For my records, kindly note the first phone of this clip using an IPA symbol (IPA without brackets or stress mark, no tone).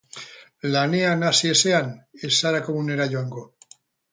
l